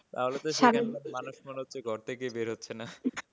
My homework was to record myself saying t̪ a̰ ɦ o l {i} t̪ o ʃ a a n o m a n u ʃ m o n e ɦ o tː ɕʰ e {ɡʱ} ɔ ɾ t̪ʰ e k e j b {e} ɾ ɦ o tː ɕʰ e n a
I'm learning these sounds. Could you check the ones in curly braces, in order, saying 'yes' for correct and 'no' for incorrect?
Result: no, yes, yes

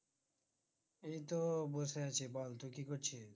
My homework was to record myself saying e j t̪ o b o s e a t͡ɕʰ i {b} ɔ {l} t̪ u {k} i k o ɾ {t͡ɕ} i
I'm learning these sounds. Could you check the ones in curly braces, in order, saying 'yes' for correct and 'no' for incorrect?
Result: yes, yes, yes, no

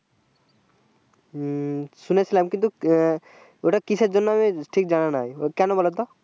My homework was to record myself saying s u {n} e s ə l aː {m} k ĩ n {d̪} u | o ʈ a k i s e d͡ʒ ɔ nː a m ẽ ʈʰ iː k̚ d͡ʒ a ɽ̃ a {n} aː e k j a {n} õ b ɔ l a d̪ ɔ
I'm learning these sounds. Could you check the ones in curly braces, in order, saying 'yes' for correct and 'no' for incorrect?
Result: yes, yes, no, yes, yes

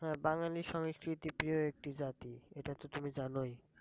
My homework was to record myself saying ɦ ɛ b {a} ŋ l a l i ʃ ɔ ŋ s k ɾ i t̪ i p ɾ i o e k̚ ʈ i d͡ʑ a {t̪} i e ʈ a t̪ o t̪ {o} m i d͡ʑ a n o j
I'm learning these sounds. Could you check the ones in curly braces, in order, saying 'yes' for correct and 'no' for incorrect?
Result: yes, yes, no

